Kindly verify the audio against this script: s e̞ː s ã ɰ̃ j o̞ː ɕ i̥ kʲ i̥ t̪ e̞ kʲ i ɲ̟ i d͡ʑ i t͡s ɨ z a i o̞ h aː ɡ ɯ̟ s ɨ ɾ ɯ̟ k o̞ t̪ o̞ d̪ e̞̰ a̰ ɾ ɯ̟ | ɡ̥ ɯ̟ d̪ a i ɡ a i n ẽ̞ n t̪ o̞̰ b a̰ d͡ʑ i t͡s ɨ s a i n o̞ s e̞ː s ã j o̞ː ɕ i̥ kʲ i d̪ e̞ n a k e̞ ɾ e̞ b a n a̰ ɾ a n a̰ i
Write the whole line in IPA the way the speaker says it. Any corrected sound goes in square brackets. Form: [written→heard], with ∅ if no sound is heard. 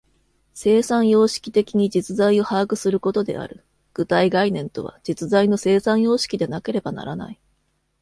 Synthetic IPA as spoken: s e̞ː s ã ɰ̃ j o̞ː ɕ i̥ kʲ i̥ t̪ e̞ kʲ i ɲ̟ i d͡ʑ i t͡s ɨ z a i o̞ h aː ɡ ɯ̟ s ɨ ɾ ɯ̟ k o̞ t̪ o̞ d̪ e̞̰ a̰ ɾ ɯ̟ | ɡ̥ ɯ̟ [d̪→t̪] a i ɡ a i n ẽ̞ n t̪ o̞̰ [b→β] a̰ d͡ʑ i t͡s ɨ [s→z] a i n o̞ s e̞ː s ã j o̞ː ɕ i̥ kʲ i d̪ e̞ n a k e̞ ɾ e̞ b a n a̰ ɾ a n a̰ i